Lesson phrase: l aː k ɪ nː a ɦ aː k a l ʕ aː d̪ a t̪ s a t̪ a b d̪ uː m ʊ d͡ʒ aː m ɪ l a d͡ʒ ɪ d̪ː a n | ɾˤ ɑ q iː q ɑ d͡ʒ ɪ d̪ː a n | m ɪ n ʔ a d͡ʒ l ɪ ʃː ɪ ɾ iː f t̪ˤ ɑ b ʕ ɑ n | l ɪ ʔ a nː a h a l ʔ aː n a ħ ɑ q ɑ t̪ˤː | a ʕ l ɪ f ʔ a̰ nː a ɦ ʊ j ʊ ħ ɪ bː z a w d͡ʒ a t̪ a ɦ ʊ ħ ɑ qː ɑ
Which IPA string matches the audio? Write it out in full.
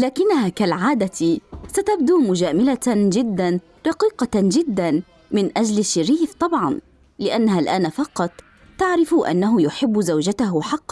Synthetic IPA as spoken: l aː k ɪ nː a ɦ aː k a l ʕ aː d̪ a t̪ s a t̪ a b d̪ uː m ʊ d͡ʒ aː m ɪ l a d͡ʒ ɪ d̪ː a n | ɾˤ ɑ q iː q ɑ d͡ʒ ɪ d̪ː a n | m ɪ n ʔ a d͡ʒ l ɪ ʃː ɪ ɾ iː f t̪ˤ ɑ b ʕ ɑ n | l ɪ ʔ a nː a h a l ʔ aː n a f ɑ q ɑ t̪ˤː | a ʕ ɾ ɪ f ʔ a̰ nː a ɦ ʊ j ʊ ħ ɪ bː z a w d͡ʒ a t̪ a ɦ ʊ ħ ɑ qː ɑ

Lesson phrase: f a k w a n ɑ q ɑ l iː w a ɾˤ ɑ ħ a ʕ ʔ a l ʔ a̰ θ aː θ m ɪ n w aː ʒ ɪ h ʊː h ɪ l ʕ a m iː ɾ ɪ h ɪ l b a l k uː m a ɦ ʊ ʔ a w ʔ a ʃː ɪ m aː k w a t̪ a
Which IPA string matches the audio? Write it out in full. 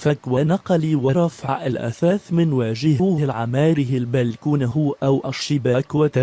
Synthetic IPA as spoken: f a k w a n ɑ q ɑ l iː w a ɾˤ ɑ f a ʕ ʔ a l ʔ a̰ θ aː θ m ɪ n w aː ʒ ɪ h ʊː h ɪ l ʕ a m aː ɾ ɪ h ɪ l b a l k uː n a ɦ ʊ ʔ a w ʔ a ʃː ɪ b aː k w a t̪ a

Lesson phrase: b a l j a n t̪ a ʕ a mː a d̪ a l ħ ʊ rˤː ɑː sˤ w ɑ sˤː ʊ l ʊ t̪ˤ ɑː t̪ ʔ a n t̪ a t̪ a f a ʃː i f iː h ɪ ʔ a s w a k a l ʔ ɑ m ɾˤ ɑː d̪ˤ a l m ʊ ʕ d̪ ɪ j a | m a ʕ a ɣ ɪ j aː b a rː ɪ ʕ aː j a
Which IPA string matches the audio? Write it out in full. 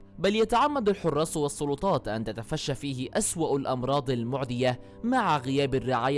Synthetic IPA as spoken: b a l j a t̪ a ʕ a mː a d̪ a l ħ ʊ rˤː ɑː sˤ w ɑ sˤː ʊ l ʊ t̪ˤ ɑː t̪ ʔ a n t̪ a t̪ a f a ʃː a f iː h ɪ ʔ a s w a ʔ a l ʔ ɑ m ɾˤ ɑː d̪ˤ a l m ʊ ʕ d̪ ɪ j a | m a ʕ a ɣ ɪ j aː b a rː ɪ ʕ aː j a

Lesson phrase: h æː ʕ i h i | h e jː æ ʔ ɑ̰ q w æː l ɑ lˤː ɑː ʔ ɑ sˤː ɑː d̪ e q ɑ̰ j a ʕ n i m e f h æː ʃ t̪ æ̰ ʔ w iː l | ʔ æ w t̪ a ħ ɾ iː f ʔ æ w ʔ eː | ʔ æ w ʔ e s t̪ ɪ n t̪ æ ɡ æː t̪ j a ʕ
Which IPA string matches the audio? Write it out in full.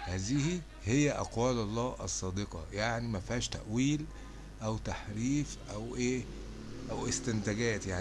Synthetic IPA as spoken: h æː z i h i | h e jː æ ʔ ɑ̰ q w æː l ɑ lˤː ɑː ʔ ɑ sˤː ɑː d̪ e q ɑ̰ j a ʕ n i m æ f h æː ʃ t̪ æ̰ ʔ w iː l | ʔ æ w t̪ a ħ ɾ iː f ʔ æ w ʔ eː | ʔ æ w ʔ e s t̪ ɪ n t̪ æ ɡ æː t̪ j a ʕ

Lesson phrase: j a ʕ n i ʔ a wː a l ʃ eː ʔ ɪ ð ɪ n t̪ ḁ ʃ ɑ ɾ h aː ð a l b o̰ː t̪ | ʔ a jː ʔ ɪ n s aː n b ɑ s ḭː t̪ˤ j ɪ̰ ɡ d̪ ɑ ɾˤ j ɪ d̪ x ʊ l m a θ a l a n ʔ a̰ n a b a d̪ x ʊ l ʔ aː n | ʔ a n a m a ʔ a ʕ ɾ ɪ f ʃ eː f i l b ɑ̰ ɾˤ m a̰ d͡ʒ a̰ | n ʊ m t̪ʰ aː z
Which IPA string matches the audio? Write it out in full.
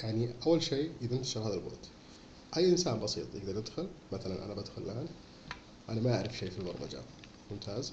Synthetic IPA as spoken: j a ʕ n i ʔ a wː a l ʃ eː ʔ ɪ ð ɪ n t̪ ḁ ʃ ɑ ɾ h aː ð a l b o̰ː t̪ | ʔ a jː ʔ ɪ n s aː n b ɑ s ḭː t̪ˤ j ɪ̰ ɡ d̪ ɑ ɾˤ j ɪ d̪ x ʊ l m a θ a l a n ʔ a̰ n a b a d̪ x ʊ l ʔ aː n | ʔ a n a m a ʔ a ʕ ɾ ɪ f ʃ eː f i l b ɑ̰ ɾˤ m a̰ d͡ʒ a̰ | m ʊ m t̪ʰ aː z

